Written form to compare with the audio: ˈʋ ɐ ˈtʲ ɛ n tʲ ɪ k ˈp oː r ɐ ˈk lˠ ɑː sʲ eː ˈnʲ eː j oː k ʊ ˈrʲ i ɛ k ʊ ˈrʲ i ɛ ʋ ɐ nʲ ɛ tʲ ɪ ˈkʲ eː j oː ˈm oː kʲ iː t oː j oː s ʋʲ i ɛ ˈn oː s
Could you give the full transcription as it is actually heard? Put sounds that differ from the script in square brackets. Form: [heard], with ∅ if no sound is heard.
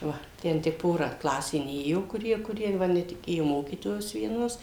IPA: ˈʋ ɐ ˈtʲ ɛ n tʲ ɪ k ˈp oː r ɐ ˈk lˠ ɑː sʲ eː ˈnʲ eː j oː k ʊ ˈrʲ i ɛ k ʊ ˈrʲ i ɛ ʋ ɐ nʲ ɛ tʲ ɪ ˈkʲ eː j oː ˈm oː kʲ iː t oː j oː s ʋʲ i ɛ ˈn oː s